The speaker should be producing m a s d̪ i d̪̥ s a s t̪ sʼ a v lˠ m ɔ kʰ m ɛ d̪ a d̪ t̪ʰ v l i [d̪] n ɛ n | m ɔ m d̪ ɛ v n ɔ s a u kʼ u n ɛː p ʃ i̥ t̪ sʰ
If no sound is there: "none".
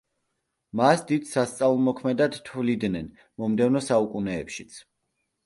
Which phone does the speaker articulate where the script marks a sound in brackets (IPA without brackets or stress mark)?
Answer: d̪